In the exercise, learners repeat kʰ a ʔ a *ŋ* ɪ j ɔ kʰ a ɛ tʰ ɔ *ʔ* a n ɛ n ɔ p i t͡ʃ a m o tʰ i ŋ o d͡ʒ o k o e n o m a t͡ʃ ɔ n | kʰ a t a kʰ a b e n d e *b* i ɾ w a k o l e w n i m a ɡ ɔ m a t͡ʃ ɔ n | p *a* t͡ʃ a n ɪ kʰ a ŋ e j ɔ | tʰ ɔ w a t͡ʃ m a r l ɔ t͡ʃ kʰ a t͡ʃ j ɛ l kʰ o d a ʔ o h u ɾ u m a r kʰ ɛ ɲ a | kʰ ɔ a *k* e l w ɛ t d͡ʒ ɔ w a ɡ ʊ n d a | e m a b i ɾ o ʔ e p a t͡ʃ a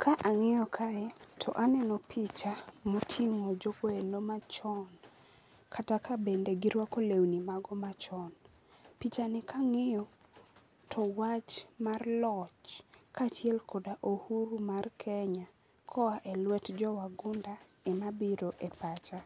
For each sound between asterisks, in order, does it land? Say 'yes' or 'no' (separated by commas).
yes, yes, no, no, no